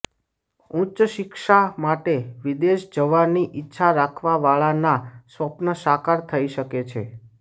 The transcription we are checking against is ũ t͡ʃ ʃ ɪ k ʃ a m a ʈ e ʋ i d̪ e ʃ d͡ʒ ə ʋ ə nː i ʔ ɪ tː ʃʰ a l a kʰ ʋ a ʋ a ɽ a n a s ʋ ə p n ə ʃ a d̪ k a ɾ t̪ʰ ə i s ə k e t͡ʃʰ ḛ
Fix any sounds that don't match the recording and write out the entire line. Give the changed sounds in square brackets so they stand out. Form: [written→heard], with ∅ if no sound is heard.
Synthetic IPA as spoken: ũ t͡ʃ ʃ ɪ k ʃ a m a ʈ e ʋ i d̪ e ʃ d͡ʒ ə ʋ [ə→a] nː i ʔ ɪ tː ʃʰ a [l→ɾ] a kʰ ʋ a ʋ a [ɽ→ɭ] a n a s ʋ ə p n ə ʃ a [d̪→∅] k a ɾ t̪ʰ ə i [s→ʃ] ə k e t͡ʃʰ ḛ